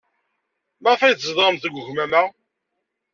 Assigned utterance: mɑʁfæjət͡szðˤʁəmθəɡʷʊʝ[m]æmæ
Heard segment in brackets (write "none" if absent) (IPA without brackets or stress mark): m